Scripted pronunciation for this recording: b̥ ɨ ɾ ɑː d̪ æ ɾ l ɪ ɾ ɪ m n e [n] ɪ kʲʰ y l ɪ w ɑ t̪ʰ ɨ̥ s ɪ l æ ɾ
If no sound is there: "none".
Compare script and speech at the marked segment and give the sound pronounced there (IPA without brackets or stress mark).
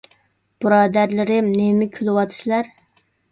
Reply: m